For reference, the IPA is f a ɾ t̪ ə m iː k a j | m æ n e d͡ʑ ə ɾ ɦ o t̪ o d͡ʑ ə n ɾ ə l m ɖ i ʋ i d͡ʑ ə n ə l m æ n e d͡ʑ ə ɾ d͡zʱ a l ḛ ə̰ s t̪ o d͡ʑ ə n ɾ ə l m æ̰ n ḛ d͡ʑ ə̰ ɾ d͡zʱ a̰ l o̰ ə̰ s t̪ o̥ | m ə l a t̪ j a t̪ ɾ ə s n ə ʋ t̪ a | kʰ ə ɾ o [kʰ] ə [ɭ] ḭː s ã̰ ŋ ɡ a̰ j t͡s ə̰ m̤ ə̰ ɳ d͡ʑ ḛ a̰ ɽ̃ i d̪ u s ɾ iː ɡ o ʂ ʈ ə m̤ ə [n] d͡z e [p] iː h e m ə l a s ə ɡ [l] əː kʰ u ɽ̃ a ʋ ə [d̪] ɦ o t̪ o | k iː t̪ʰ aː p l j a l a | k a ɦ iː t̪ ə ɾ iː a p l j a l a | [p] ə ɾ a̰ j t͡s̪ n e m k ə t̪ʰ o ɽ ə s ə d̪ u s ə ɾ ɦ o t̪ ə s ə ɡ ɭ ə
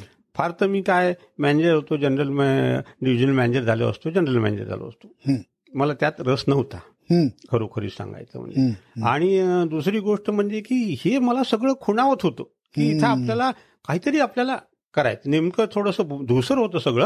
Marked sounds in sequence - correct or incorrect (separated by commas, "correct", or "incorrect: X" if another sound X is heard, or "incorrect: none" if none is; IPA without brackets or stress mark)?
correct, incorrect: ɾ, incorrect: ɳ, incorrect: k, incorrect: ɭ, incorrect: t̪, incorrect: k